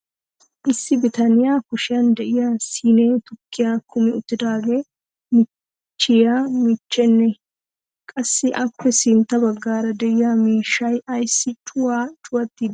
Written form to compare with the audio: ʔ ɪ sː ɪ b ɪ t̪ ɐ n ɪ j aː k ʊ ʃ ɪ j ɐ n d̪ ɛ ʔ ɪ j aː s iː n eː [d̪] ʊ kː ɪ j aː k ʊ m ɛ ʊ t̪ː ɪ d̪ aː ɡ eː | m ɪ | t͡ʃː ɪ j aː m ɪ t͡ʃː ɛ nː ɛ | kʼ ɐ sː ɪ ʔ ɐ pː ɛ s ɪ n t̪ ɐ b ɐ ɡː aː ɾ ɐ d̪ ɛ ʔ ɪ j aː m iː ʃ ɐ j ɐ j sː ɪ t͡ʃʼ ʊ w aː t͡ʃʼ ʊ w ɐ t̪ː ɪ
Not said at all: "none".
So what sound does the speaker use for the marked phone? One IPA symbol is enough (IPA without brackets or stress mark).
t̪